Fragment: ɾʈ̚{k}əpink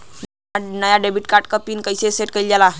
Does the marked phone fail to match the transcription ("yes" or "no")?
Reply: no